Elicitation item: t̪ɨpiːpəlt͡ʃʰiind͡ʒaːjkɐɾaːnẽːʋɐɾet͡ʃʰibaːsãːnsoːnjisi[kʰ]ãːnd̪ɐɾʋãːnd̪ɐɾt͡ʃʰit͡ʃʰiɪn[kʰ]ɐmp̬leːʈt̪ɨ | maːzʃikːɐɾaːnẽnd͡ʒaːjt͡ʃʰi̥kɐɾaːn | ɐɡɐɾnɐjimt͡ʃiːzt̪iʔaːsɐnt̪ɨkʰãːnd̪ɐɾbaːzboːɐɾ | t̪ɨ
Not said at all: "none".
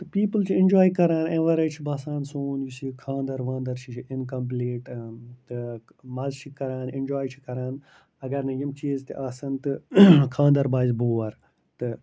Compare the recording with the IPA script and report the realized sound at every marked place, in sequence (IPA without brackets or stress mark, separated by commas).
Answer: kʰ, k